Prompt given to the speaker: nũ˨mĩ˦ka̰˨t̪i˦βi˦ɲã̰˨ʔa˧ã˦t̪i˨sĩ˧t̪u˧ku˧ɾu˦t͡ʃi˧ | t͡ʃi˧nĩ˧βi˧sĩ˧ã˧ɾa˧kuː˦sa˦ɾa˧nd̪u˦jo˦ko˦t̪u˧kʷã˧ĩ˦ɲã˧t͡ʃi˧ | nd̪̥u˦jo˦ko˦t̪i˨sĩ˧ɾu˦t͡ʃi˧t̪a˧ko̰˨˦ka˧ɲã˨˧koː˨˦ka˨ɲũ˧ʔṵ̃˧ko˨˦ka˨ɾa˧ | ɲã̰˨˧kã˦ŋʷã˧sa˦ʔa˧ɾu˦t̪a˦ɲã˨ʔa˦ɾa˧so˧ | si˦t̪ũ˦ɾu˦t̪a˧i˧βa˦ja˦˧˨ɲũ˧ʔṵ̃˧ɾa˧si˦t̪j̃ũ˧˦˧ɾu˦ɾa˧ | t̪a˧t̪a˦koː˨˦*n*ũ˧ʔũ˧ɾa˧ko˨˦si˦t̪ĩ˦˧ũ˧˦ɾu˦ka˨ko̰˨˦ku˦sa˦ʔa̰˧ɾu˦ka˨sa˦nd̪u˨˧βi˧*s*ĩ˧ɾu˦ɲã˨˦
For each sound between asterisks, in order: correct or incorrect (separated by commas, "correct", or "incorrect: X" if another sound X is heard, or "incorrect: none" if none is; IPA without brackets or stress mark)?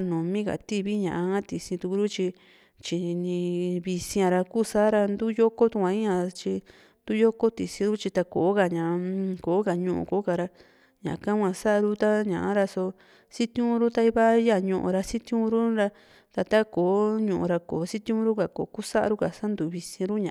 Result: incorrect: ɲ, correct